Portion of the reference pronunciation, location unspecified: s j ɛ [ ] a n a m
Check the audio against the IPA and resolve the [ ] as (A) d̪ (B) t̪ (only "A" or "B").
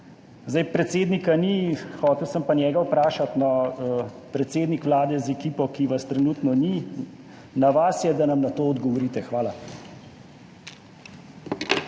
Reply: A